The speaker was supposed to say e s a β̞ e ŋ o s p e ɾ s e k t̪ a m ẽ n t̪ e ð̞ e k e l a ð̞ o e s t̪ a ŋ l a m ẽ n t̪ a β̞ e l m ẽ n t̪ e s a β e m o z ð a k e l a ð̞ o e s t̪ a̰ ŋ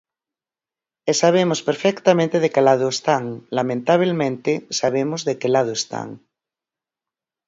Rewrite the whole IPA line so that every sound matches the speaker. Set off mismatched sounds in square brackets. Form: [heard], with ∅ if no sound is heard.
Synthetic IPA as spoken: e s a β̞ e [m] o s p e ɾ [f] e k t̪ a m ẽ n t̪ e ð̞ e k e l a ð̞ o e s t̪ a ŋ l a m ẽ n t̪ a β̞ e l m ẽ n t̪ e s a β e m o z ð [e] k e l a ð̞ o e s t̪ a̰ ŋ